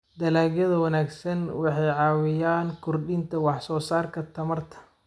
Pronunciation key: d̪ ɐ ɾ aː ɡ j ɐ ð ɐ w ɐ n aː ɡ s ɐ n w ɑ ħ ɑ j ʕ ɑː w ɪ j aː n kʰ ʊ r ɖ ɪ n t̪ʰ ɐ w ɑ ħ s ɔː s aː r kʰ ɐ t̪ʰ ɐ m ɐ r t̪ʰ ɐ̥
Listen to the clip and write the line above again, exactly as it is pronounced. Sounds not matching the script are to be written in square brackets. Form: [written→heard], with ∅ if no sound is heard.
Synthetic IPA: d̪ ɐ [ɾ→l] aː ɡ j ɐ ð ɐ w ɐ n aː ɡ s ɐ n w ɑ ħ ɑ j ʕ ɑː w ɪ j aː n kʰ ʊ r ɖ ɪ n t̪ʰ ɐ w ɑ ħ s ɔː s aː r kʰ ɐ t̪ʰ ɐ m ɐ r t̪ʰ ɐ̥